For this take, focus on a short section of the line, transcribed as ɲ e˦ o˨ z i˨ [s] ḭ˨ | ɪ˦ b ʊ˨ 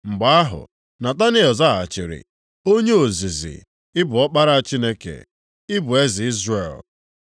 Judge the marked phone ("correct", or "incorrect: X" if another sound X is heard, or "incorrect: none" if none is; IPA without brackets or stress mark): incorrect: z